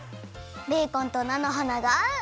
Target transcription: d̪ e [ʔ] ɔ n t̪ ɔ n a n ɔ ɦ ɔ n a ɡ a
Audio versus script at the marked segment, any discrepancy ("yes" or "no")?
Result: yes